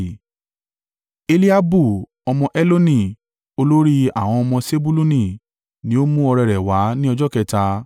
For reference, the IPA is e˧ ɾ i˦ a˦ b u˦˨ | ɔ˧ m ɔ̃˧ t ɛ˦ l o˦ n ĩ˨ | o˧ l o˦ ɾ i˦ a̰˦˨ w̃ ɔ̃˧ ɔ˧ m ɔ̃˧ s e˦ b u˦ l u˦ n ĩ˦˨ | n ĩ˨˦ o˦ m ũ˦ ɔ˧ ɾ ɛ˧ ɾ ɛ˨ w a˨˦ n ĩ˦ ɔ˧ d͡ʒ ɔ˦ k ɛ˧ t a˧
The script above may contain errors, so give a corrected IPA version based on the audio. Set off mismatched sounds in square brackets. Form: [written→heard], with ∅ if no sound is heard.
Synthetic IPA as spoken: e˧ [ɾ→l] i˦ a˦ b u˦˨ | ɔ˧ m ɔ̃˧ [t→ʔ] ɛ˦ l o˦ n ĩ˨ | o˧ l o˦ ɾ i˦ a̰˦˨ w̃ ɔ̃˧ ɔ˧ m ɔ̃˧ s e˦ b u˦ l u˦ n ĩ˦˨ | n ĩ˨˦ o˦ m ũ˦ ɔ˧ ɾ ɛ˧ ɾ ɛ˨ w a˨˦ n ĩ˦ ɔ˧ d͡ʒ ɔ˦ k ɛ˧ t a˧